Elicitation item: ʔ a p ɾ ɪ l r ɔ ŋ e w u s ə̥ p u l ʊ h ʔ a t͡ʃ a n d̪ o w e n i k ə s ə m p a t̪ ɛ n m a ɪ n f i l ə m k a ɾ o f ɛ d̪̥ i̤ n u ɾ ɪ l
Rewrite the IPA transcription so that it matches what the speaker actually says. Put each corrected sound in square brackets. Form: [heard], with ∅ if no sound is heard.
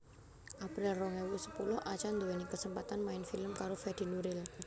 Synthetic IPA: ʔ a p ɾ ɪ l r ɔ ŋ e w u s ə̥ p u l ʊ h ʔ a t͡ʃ a n d̪ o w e n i k ə s ə m p a t̪ [a] n m a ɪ n f i l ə m k a ɾ o f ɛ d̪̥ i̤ n u ɾ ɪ l